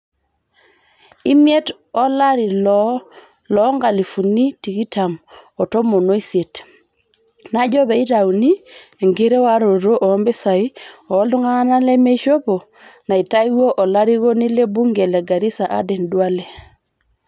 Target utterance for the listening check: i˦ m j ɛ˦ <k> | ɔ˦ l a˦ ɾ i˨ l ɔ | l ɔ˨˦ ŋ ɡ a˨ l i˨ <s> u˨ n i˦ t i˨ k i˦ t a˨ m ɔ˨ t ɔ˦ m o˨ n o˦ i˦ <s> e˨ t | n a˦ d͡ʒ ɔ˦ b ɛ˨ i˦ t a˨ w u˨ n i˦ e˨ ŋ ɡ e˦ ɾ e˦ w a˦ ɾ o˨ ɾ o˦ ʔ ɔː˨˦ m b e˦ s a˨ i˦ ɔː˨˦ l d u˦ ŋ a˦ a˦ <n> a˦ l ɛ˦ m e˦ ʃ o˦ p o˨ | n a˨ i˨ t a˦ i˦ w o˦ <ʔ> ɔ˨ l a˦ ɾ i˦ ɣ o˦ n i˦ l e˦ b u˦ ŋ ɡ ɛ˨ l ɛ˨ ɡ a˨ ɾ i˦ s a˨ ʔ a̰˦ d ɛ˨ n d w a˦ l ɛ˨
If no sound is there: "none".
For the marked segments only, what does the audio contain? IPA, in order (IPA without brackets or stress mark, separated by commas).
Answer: t, f, s, n, ʔ